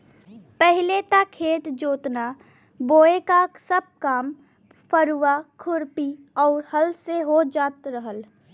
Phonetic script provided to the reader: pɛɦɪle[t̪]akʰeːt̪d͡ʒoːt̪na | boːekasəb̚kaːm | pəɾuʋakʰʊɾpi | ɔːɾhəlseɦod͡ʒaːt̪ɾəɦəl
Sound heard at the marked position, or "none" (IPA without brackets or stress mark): t̪